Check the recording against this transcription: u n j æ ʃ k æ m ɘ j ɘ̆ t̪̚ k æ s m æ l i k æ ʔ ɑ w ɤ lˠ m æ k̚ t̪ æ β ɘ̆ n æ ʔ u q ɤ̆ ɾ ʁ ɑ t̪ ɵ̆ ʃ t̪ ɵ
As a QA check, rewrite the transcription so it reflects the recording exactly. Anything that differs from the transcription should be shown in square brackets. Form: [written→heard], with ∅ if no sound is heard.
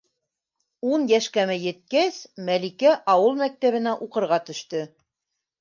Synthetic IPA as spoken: u n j æ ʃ k æ m ɘ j ɘ̆ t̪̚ k æ s m æ l i k æ ʔ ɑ w ɤ lˠ m æ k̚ t̪ æ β ɘ̆ n æ ʔ u q ɤ̆ ɾ ʁ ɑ t̪ ɵ̆ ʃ t̪ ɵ